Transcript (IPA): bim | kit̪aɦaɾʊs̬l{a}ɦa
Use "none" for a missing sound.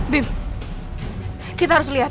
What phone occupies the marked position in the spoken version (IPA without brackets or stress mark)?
i